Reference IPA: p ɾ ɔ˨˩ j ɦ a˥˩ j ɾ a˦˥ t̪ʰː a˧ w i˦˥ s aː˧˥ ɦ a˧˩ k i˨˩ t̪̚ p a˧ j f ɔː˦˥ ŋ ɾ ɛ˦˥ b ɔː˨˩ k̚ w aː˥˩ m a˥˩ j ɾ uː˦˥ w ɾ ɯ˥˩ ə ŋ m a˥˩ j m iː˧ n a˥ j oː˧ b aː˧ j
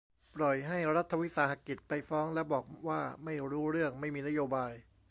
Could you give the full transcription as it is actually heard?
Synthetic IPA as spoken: p ɾ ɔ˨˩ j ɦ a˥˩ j ɾ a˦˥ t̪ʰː a˧ w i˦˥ s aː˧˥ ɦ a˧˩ k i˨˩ t̪̚ p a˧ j f ɔː˦˥ ŋ l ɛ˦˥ b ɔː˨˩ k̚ w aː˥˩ m a˥˩ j ɾ uː˦˥ ɾ ɯ˥˩ ə ŋ m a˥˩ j m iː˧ n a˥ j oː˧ b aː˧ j